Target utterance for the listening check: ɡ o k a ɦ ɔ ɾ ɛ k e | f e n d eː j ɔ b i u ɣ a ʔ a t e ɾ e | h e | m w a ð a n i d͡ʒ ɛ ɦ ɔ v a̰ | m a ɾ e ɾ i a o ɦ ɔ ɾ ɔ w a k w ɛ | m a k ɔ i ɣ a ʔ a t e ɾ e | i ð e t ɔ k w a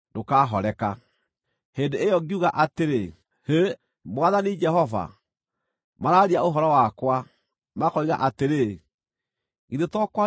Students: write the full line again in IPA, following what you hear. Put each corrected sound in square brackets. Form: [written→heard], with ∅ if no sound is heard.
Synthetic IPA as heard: [ɡ→d] o k a ɦ ɔ ɾ ɛ k [e→a] | [f→h] e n d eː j ɔ [b→ɡ] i u ɣ a ʔ a t e ɾ e | h e | m w a ð a n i d͡ʒ ɛ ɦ ɔ v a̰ | m a ɾ [e→a] ɾ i a o ɦ ɔ ɾ ɔ w a k w [ɛ→a] | m a k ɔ i ɣ a ʔ a t e ɾ e | i ð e t ɔ k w a